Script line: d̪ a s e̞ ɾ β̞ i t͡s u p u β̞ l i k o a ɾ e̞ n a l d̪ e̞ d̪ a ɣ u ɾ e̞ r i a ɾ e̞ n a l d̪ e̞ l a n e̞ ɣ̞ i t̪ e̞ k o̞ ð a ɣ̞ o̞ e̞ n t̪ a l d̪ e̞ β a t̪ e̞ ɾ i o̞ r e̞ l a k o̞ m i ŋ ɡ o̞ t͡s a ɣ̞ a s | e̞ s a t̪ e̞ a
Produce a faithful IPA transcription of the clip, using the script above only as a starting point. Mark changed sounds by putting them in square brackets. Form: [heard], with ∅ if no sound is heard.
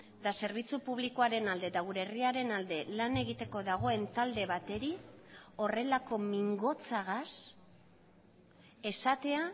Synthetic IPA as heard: d̪ a s e̞ ɾ β̞ i t͡s u p u β̞ l i k o a ɾ e̞ n a l d̪ e̞ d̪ a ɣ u ɾ e̞ r i a ɾ e̞ n a l d̪ e̞ l a n e̞ ɣ̞ i t̪ e̞ k o̞ ð a ɣ̞ o̞ e̞ n t̪ a l d̪ e̞ β a t̪ e̞ ɾ i o̞ r e̞ l a k o̞ m i ŋ ɡ o̞ t͡s a ɣ̞ a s | e̞ s a t̪ e̞ a

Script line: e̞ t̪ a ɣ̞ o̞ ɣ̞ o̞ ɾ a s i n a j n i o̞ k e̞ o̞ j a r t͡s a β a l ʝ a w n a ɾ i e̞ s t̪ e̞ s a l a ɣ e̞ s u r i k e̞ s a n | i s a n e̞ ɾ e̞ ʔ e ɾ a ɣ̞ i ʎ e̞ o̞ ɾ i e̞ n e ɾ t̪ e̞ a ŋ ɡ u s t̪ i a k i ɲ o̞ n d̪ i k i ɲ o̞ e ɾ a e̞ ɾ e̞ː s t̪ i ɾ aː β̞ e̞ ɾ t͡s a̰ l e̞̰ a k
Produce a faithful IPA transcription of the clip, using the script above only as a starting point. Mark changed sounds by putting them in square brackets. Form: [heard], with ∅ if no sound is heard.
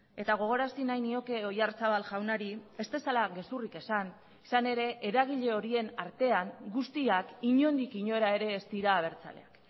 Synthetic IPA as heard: e̞ t̪ a ɣ̞ o̞ ɣ̞ o̞ ɾ a s i n a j n i o̞ k e̞ o̞ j a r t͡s a β a l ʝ a w n a ɾ i e̞ s t̪ e̞ s a l a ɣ e̞ s u r i k e̞ s a n | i s a n e̞ ɾ e̞ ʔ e ɾ a ɣ̞ i ʎ e̞ o̞ ɾ i e̞ n [a] ɾ t̪ e̞ a ŋ ɡ u s t̪ i a k i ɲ o̞ n d̪ i k i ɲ o̞ e ɾ a e̞ ɾ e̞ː s t̪ i ɾ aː β̞ e̞ ɾ t͡s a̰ l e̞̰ a k

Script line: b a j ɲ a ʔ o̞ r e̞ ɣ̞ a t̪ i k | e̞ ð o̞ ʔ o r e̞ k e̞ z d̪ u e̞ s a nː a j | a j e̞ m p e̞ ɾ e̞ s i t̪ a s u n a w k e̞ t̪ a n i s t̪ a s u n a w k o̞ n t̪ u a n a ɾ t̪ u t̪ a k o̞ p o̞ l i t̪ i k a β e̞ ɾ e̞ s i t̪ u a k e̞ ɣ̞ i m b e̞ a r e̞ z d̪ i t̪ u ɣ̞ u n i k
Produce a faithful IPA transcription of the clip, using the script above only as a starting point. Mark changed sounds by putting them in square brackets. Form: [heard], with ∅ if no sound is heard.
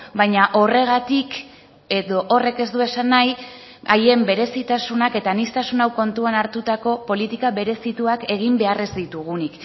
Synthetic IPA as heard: b a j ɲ a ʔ o̞ r e̞ ɣ̞ a t̪ i k | e̞ ð o̞ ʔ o r e̞ k e̞ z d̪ u e̞ s a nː a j | a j e̞ m [b] e̞ ɾ e̞ s i t̪ a s u n a [∅] k e̞ t̪ a n i s t̪ a s u n a w k o̞ n t̪ u a n a ɾ t̪ u t̪ a k o̞ p o̞ l i t̪ i k a β e̞ ɾ e̞ s i t̪ u a k e̞ ɣ̞ i m b e̞ a r e̞ z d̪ i t̪ u ɣ̞ u n i k

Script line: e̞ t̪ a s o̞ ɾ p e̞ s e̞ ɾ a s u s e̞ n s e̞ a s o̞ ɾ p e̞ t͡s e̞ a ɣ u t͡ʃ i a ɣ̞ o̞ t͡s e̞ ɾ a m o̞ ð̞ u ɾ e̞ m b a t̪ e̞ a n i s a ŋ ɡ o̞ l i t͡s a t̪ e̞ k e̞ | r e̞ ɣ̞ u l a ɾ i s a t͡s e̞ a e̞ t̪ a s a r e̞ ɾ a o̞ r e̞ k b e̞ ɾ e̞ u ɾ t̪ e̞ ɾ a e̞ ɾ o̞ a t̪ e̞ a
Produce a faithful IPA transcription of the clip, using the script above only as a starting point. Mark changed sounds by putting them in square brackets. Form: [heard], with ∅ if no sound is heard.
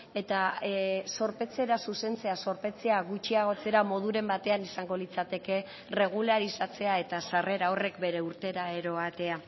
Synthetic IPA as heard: e̞ t̪ a s o̞ ɾ p e̞ [t͡s] e̞ ɾ a s u s e̞ n [t͡s] e̞ a s o̞ ɾ p e̞ t͡s e̞ a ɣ u t͡ʃ i a ɣ̞ o̞ t͡s e̞ ɾ a m o̞ ð̞ u ɾ e̞ m b a t̪ e̞ a n i s a ŋ ɡ o̞ l i t͡s a t̪ e̞ k e̞ | r e̞ ɣ̞ u l a ɾ i s a t͡s e̞ a e̞ t̪ a s a r e̞ ɾ a o̞ r e̞ k b e̞ ɾ e̞ u ɾ t̪ e̞ ɾ a e̞ ɾ o̞ a t̪ e̞ a

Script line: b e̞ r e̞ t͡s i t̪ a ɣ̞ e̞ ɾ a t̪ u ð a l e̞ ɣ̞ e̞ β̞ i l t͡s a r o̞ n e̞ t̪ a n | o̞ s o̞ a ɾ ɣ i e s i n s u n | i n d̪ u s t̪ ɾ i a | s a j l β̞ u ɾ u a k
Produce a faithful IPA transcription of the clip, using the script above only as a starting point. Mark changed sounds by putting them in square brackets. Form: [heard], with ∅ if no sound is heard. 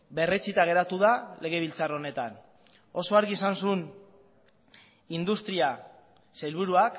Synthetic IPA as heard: b e̞ r e̞ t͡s i t̪ a ɣ̞ e̞ ɾ a t̪ u ð a l e̞ ɣ̞ e̞ β̞ i l t͡s a r o̞ n e̞ t̪ a n | o̞ s o̞ a ɾ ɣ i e s [a] n s u n | i n d̪ u s t̪ ɾ i a | s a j l β̞ u ɾ u a k

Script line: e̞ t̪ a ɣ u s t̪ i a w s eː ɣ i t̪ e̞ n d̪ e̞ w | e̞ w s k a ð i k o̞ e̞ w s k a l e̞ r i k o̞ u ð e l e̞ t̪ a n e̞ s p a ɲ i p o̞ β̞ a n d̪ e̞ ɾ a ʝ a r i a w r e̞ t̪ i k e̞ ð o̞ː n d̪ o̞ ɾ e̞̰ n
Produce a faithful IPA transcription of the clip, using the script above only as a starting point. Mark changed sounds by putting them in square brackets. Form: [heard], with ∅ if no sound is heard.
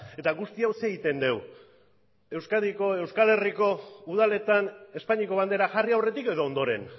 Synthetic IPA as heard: e̞ t̪ a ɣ u s t̪ i a w s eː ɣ i t̪ e̞ n d̪ e̞ w | e̞ w s k a ð i k o̞ e̞ w s k a l e̞ r i k o̞ u ð [a] l e̞ t̪ a n e̞ s p a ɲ i [k] o̞ β̞ a n d̪ e̞ ɾ a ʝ a r i a w r e̞ t̪ i k e̞ ð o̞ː n d̪ o̞ ɾ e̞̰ n

